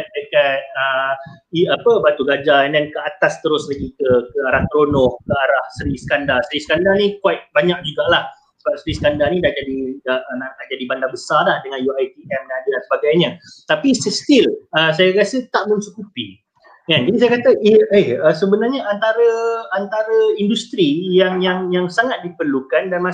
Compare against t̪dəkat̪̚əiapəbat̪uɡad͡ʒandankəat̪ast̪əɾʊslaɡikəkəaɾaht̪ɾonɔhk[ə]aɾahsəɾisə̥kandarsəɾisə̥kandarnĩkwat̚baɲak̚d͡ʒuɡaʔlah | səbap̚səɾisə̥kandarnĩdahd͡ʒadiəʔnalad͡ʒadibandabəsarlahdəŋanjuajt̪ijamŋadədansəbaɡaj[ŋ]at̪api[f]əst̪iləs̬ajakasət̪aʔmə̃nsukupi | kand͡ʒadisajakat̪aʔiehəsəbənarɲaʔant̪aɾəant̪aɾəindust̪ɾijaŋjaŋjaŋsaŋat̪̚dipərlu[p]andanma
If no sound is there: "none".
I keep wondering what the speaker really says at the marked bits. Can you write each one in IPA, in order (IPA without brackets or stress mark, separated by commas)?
ə, ɲ, s, k